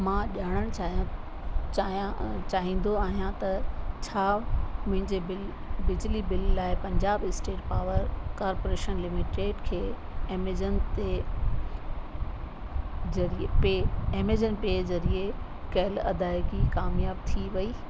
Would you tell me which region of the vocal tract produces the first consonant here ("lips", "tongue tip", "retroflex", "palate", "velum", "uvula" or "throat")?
lips